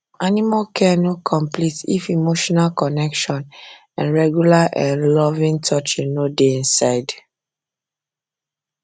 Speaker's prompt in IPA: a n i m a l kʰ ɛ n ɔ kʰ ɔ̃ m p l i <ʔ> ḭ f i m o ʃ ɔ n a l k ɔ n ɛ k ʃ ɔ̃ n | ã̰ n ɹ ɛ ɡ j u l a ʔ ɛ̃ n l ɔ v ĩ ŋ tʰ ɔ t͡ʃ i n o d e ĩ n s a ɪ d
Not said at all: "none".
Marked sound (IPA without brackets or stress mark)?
t